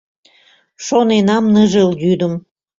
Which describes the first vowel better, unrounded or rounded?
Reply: rounded